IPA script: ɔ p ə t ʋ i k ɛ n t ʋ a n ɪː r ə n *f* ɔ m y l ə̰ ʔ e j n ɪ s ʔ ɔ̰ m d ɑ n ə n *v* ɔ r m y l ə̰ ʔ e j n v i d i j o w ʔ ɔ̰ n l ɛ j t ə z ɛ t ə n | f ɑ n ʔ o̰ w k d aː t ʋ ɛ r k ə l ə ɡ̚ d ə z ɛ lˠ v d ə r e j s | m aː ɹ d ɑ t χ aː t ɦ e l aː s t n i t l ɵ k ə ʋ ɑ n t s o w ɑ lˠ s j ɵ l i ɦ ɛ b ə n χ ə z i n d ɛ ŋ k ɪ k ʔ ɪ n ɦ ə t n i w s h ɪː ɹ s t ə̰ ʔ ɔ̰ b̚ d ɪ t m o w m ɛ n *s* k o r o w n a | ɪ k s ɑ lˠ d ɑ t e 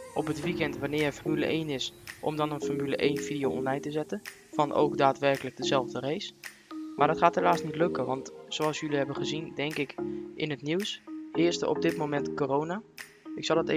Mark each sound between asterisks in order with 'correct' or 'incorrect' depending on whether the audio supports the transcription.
correct, incorrect: f, incorrect: t

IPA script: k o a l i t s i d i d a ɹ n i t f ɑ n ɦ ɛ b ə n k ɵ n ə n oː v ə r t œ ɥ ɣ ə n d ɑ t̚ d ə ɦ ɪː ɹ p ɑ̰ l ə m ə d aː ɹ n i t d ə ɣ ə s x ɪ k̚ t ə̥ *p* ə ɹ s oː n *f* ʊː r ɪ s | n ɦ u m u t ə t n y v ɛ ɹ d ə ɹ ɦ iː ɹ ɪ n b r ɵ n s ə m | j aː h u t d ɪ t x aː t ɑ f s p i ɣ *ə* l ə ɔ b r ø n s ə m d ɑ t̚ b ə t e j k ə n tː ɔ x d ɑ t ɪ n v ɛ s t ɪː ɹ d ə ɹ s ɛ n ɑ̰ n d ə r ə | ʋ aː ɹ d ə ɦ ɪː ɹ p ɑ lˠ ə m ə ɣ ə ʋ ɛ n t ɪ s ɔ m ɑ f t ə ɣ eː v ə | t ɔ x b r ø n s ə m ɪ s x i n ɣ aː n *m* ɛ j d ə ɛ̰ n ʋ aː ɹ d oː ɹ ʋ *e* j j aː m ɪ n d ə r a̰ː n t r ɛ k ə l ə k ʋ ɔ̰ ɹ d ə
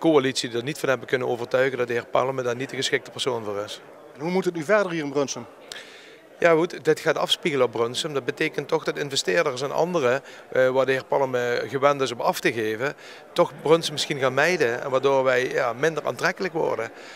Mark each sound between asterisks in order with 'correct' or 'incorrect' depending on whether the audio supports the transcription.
correct, incorrect: v, correct, correct, incorrect: ɛ

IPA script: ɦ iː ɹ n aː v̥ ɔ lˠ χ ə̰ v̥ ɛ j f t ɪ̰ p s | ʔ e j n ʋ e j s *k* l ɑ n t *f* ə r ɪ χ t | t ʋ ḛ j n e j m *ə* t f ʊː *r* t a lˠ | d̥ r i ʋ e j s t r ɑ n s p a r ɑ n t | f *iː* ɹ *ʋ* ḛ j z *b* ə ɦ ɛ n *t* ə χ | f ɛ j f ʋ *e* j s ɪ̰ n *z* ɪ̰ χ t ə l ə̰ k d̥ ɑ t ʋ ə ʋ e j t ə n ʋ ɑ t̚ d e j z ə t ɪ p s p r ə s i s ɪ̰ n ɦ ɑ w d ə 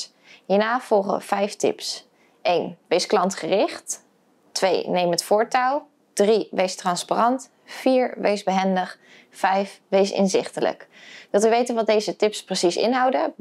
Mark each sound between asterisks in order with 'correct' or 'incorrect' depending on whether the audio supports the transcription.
correct, incorrect: χ, correct, incorrect: ɹ, correct, correct, correct, incorrect: d, correct, correct

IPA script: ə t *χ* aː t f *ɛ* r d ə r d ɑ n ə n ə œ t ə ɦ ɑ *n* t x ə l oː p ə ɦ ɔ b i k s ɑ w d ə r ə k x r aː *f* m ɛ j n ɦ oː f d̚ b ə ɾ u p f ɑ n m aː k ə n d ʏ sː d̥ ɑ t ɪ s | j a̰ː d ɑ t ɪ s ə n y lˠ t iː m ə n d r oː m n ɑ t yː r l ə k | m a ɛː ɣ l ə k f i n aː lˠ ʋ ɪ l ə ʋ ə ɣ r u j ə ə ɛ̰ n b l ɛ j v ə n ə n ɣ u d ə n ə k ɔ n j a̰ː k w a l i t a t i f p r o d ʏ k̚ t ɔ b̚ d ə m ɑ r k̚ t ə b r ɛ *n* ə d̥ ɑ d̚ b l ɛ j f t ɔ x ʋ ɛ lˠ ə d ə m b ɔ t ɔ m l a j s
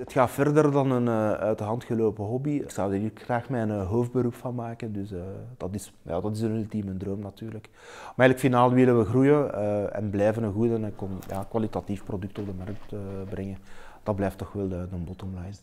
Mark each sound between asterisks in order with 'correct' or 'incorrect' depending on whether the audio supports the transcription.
incorrect: x, correct, correct, incorrect: x, incorrect: ŋ

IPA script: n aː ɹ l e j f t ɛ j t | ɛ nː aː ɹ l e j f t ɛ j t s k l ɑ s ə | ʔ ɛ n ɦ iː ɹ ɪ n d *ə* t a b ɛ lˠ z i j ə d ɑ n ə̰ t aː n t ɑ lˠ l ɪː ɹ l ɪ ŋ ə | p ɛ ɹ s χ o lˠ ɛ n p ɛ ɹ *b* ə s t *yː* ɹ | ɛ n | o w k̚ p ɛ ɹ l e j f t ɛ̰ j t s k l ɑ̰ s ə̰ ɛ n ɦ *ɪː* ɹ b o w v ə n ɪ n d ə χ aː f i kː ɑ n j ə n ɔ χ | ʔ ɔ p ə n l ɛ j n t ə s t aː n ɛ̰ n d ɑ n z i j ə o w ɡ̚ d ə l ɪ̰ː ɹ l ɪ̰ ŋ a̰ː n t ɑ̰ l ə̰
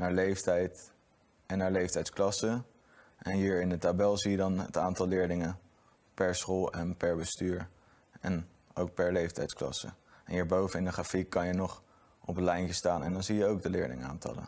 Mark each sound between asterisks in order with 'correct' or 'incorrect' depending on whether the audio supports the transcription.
correct, correct, correct, incorrect: iː

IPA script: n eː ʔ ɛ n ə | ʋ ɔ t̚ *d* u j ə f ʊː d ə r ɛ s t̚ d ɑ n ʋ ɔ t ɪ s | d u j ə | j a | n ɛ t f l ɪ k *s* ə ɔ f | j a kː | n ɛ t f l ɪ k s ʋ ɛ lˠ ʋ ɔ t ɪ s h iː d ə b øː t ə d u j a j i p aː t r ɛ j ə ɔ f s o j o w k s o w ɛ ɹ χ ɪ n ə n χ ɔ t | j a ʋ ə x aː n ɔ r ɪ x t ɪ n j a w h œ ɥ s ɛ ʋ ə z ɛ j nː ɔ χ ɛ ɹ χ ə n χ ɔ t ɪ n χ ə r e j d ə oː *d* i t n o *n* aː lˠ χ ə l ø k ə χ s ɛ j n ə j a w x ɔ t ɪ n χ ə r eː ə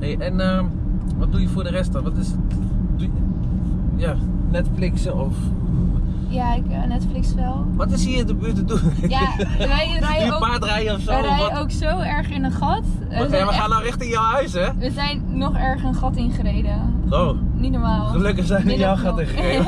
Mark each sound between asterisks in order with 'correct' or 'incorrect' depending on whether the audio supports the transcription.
correct, correct, incorrect: n, incorrect: m

